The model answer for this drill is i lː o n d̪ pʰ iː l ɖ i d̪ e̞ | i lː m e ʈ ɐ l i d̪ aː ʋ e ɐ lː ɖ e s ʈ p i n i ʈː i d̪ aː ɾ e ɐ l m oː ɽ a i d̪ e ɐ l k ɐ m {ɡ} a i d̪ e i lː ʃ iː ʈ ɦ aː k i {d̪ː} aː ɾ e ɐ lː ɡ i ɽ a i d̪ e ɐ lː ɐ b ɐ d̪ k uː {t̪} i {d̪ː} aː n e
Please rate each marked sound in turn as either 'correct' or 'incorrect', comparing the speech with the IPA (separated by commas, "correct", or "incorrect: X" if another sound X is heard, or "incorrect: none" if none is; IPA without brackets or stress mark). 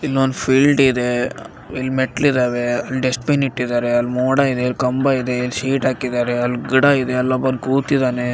incorrect: b, incorrect: d̪, correct, incorrect: d̪